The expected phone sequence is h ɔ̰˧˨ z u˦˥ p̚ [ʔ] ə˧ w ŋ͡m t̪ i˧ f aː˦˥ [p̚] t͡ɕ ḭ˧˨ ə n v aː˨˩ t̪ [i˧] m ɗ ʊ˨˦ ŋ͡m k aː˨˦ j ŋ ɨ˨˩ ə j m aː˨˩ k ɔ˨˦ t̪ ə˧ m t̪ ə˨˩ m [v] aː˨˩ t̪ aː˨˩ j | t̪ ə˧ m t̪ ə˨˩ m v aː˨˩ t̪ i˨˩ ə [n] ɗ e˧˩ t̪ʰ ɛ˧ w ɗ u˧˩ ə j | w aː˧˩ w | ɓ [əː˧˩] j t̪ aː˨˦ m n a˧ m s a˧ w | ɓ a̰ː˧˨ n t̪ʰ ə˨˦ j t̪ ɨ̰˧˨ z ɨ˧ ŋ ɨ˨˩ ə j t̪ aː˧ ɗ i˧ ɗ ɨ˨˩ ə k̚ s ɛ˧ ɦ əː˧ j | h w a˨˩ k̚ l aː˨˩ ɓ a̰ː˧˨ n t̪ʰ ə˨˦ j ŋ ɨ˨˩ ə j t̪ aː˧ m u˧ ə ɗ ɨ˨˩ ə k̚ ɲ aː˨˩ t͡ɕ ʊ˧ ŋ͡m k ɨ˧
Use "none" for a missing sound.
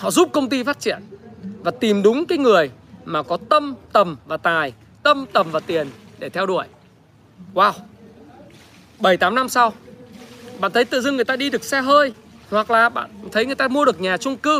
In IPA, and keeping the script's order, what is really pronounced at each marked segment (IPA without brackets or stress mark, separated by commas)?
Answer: k, t̚, i˨˩, v, n, ə˧˩